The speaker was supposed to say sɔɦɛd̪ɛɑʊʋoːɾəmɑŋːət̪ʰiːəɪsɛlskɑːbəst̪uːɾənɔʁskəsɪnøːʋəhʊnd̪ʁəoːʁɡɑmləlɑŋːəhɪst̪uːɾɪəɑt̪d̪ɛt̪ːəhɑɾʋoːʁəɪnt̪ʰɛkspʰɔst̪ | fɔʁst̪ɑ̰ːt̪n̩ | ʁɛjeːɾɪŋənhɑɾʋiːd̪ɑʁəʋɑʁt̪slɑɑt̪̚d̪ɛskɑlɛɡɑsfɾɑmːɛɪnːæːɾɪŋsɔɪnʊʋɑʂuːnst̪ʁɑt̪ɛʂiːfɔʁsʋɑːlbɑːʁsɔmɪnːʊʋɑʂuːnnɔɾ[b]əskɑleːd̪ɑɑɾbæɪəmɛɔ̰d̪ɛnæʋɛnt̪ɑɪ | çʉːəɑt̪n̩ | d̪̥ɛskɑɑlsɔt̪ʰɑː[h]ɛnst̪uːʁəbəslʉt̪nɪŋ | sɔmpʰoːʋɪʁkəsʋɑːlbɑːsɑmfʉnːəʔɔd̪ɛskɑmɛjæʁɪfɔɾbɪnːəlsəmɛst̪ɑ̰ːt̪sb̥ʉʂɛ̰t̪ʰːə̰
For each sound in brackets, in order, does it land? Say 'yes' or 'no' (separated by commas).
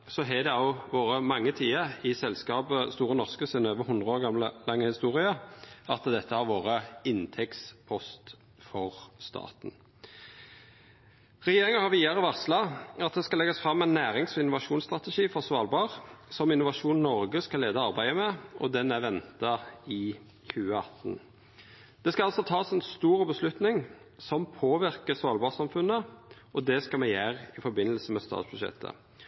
no, no